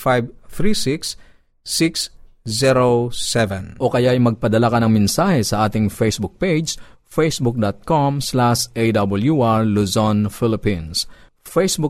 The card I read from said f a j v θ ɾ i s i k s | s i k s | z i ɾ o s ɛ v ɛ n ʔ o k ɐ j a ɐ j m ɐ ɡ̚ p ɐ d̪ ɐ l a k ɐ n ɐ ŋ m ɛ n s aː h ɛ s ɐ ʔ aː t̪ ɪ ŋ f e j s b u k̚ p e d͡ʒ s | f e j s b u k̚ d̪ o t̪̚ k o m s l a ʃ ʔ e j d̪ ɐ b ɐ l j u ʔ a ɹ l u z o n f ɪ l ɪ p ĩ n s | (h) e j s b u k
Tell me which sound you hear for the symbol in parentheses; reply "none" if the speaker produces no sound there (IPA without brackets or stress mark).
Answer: f